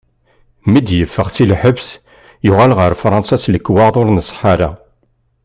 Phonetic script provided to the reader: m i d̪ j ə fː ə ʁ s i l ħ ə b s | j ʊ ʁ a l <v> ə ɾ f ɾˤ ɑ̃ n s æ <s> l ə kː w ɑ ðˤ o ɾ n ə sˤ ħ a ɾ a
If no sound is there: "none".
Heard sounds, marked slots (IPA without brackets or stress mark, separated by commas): ʁ, s